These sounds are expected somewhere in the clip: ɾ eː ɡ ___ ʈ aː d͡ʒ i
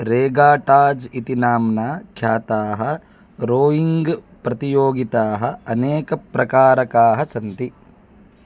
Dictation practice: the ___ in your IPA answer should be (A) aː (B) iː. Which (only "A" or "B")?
A